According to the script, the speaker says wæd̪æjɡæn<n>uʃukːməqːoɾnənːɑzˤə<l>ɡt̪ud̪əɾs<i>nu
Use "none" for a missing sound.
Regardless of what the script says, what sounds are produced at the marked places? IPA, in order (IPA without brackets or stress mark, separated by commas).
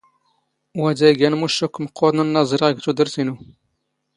m, ɾ, i